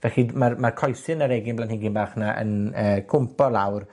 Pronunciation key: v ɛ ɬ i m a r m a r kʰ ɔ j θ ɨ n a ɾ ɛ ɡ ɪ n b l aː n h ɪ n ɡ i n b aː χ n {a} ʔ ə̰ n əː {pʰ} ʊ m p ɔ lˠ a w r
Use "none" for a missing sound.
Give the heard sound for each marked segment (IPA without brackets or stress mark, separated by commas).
a, kʰ